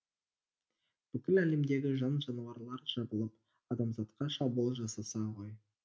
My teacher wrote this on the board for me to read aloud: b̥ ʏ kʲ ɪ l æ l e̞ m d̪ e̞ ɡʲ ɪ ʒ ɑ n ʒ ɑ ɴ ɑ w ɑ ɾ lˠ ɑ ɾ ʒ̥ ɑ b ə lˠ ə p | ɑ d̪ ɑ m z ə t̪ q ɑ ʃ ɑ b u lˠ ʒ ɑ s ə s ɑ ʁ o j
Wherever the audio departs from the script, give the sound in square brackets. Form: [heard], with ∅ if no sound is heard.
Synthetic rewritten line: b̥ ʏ kʲ ɪ l æ l e̞ m d̪ e̞ ɡʲ ɪ ʒ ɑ n ʒ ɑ [n] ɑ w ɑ ɾ lˠ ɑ ɾ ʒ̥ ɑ b ə lˠ ə p | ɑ d̪ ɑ m z [ɑ] t̪ q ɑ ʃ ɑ b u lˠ ʒ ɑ s [ɑ] s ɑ ʁ o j